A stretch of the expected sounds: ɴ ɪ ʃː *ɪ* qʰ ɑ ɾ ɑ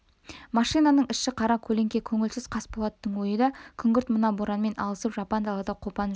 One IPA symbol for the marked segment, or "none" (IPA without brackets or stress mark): ɪ